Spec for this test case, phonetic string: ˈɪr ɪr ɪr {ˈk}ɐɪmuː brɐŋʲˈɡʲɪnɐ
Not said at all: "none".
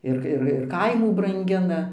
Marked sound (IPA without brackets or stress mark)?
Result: k